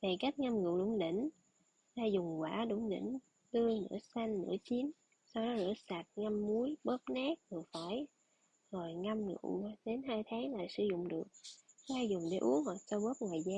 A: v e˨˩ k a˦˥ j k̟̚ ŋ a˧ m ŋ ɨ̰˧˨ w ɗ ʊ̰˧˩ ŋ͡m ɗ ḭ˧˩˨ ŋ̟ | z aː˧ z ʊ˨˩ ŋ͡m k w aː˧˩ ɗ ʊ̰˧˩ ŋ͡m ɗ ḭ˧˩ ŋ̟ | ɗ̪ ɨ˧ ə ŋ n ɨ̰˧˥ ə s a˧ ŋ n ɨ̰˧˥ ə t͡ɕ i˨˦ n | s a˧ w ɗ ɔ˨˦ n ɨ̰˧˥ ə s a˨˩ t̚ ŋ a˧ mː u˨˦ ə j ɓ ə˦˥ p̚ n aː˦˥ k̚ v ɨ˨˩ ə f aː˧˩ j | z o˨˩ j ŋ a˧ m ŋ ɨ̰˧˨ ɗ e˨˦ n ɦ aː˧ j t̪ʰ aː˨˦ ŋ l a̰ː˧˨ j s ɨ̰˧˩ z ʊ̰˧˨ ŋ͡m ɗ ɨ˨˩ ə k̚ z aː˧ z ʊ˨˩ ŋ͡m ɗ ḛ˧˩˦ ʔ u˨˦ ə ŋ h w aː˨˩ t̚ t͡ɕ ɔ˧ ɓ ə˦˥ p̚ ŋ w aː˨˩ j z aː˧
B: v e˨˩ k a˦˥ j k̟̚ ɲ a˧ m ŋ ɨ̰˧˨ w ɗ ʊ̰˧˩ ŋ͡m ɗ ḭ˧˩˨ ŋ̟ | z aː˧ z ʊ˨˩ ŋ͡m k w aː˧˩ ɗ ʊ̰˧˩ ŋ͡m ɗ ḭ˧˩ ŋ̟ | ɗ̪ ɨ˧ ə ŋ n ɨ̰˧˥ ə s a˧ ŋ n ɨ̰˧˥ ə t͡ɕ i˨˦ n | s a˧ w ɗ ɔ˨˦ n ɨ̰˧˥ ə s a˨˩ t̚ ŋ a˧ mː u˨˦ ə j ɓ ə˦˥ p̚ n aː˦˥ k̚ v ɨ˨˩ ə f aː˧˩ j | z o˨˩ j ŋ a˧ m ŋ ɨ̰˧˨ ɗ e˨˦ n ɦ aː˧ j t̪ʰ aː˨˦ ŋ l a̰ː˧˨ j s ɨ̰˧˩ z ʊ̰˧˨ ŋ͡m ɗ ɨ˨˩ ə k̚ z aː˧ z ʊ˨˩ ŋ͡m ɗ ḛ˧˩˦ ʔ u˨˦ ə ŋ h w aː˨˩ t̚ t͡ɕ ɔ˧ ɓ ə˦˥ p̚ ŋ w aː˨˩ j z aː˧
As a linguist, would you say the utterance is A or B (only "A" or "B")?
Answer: A